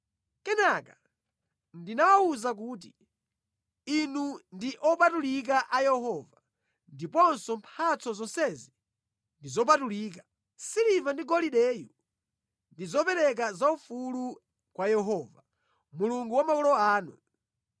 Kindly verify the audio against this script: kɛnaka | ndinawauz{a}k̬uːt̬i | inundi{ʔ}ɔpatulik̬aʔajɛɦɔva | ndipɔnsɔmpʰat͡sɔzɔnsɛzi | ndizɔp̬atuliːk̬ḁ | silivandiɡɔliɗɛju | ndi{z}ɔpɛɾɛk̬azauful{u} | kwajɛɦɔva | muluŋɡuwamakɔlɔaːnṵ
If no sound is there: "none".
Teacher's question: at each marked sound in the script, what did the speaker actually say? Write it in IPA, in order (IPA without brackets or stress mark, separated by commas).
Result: a, ʔ, z, u